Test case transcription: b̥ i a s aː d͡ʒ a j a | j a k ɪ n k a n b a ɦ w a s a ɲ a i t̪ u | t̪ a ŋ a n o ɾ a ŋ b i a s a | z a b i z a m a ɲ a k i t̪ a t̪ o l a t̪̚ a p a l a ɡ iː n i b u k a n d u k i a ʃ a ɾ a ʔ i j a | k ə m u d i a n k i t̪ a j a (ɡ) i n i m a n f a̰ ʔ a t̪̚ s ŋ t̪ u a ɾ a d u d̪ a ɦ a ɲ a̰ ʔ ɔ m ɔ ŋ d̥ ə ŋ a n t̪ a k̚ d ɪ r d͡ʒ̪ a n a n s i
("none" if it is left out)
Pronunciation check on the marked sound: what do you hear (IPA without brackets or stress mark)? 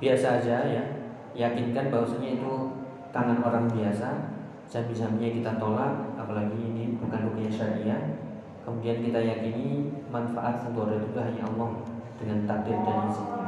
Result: k